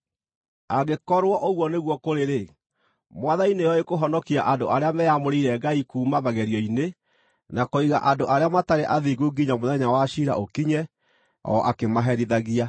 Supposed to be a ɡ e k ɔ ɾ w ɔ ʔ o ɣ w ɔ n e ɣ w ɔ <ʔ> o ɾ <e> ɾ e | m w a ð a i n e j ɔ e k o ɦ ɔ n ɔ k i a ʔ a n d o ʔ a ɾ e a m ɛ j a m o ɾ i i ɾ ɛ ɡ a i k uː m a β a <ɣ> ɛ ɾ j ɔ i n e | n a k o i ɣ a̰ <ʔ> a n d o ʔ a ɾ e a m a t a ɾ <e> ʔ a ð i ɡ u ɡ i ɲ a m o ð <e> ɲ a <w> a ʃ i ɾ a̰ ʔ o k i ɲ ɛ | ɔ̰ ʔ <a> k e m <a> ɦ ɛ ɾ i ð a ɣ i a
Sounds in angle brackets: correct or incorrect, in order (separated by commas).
incorrect, correct, correct, correct, correct, incorrect, correct, correct, correct